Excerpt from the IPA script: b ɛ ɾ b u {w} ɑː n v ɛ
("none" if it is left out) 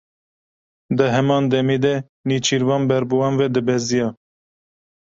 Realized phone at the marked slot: w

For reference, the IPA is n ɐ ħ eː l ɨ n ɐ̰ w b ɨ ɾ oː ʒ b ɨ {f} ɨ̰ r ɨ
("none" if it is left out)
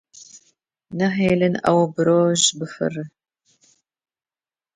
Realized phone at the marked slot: f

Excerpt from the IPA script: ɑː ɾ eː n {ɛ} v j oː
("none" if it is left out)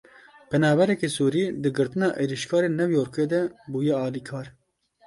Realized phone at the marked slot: ɛ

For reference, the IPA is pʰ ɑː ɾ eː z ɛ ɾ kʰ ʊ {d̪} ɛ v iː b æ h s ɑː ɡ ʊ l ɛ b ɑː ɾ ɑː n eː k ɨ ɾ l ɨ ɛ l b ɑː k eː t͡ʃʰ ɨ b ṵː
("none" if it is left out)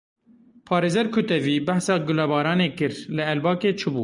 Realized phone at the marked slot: t̪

